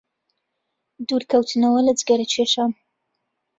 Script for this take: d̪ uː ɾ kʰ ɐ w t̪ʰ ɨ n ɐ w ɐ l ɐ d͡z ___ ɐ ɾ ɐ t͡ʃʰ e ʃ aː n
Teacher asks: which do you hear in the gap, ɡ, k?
ɡ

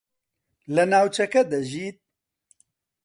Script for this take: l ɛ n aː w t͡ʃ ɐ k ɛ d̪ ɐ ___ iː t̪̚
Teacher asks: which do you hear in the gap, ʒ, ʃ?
ʒ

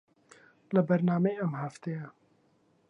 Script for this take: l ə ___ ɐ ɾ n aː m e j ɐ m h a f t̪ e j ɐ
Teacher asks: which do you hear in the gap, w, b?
b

